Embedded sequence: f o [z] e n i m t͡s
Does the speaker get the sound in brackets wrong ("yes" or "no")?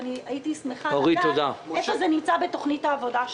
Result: no